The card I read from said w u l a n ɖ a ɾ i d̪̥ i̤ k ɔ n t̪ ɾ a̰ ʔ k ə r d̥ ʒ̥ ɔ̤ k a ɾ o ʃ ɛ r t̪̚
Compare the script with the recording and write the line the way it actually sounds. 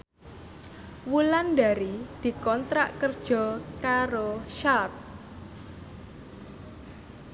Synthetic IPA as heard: w u l a n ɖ a ɾ i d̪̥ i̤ k ɔ n t̪ ɾ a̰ ʔ k ə r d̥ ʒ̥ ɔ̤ k a ɾ o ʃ a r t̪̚